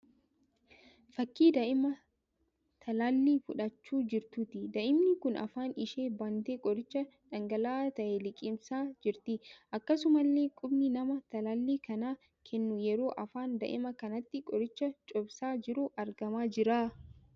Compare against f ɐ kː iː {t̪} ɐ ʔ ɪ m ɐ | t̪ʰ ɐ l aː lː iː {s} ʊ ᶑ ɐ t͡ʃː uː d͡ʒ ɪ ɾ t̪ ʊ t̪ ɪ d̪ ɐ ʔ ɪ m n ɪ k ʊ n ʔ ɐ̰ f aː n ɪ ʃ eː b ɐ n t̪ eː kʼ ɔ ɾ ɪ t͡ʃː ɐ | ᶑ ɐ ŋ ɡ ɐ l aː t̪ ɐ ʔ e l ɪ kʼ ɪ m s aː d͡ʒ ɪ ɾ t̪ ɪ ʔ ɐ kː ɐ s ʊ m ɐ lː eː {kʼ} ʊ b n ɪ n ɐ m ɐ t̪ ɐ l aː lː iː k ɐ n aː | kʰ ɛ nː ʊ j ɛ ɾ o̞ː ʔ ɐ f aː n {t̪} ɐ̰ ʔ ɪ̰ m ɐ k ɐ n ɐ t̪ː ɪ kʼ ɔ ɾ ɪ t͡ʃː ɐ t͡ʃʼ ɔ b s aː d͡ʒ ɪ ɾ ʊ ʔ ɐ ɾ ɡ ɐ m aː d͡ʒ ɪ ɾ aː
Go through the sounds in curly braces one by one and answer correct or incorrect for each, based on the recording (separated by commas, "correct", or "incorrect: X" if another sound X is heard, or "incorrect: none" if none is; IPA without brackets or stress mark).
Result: incorrect: d̪, incorrect: f, correct, incorrect: d̪